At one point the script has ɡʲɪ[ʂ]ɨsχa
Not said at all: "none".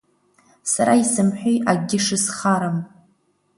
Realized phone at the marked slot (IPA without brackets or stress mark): ʂ